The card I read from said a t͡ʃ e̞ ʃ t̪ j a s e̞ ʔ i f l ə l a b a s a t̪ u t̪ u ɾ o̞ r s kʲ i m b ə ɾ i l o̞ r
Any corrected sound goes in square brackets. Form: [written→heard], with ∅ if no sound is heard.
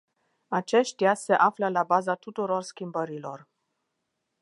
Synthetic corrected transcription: a t͡ʃ e̞ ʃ t̪ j a s e̞ ʔ [i→a] f l ə l a b a [s→z] a t̪ u t̪ u ɾ o̞ r s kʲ i m b ə ɾ i l o̞ r